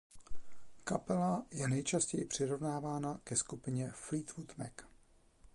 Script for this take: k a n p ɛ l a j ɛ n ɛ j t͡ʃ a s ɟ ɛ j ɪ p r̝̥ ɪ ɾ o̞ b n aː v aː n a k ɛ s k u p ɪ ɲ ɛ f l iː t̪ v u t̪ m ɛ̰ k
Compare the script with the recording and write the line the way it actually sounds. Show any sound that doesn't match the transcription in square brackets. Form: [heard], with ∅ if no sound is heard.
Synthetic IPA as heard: k a [∅] p ɛ l a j ɛ n ɛ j t͡ʃ a s [c] ɛ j ɪ p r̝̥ ɪ ɾ o̞ [v] n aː v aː n a k ɛ s k u p ɪ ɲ ɛ f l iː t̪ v u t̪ m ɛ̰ k